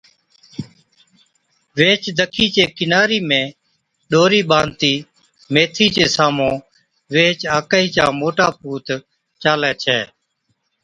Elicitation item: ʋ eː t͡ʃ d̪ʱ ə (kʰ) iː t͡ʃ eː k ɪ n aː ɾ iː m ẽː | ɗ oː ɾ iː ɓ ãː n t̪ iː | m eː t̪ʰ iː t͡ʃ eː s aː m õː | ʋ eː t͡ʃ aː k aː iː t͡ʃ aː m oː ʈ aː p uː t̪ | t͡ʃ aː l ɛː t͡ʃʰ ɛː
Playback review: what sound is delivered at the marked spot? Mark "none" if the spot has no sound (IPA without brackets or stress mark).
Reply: kʰ